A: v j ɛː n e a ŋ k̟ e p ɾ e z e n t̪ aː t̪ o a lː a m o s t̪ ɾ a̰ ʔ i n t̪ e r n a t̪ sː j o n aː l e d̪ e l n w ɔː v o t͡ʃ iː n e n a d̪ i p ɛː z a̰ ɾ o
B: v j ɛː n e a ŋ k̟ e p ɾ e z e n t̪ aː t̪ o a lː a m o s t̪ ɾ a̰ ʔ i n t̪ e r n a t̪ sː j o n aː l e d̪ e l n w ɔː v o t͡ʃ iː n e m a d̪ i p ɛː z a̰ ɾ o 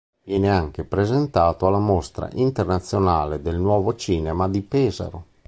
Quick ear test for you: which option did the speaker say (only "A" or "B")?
B